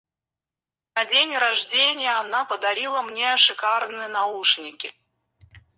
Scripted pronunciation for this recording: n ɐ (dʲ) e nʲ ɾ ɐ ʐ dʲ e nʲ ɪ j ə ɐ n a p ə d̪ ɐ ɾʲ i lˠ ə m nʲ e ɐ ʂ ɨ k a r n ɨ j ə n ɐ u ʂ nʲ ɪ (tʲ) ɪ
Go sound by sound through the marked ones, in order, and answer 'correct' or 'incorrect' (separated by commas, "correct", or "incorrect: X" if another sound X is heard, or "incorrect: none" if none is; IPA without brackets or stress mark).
correct, incorrect: kʲ